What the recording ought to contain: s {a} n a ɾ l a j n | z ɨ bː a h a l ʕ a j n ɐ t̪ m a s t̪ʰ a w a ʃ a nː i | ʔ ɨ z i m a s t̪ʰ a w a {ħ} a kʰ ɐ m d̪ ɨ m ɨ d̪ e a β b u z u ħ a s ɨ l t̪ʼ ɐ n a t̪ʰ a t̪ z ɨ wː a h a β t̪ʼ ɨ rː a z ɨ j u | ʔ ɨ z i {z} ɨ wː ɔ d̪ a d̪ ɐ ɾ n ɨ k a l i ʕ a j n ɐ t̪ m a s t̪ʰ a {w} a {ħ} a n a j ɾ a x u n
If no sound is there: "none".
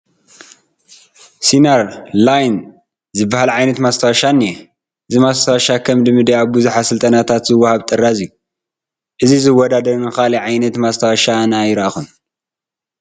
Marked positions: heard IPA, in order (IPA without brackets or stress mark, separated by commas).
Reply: i, ʃ, z, w, ʃ